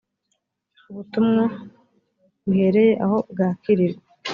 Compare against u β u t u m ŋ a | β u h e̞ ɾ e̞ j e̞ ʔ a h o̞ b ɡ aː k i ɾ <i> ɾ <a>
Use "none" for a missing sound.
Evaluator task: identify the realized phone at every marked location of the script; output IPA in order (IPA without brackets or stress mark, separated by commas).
i, e